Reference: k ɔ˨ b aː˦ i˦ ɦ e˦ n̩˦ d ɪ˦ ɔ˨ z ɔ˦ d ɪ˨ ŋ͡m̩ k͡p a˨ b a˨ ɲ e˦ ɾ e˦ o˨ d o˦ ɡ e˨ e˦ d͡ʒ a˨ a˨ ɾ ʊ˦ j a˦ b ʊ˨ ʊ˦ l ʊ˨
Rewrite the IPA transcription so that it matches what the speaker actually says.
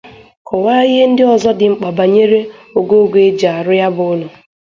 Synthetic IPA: k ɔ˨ w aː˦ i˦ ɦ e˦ n̩˦ d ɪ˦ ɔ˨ z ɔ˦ d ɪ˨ ŋ͡m̩ k͡p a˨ b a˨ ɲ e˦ ɾ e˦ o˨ ɡ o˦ ɡ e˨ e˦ d͡ʒ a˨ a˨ ɾ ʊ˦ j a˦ b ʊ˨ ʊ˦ l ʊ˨